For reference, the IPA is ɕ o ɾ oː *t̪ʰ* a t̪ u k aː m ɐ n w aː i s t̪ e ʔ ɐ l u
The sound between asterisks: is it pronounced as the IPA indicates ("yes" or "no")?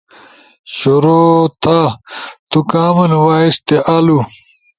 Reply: yes